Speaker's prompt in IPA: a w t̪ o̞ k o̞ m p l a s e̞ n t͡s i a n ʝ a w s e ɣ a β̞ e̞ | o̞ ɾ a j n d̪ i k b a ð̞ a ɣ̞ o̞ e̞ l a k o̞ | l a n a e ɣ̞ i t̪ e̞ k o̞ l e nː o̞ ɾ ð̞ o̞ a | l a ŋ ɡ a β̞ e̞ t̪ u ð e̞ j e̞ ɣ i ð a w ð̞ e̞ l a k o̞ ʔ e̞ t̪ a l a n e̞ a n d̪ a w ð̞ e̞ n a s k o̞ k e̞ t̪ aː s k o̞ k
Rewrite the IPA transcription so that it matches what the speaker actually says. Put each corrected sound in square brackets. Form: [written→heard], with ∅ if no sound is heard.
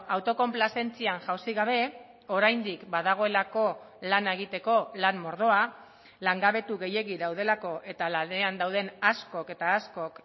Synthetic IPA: a w t̪ o̞ k o̞ m p l a s e̞ n t͡s i a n ʝ a w s [e→i] ɣ a β̞ e̞ | o̞ ɾ a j n d̪ i k b a ð̞ a ɣ̞ o̞ e̞ l a k o̞ | l a n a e ɣ̞ i t̪ e̞ k o̞ l [e→a] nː o̞ ɾ ð̞ o̞ a | l a ŋ ɡ a β̞ e̞ t̪ u [ð→ɣ] e̞ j e̞ ɣ i ð a w ð̞ e̞ l a k o̞ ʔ e̞ t̪ a l a n e̞ a n d̪ a w ð̞ e̞ n a s k o̞ k e̞ t̪ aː s k o̞ k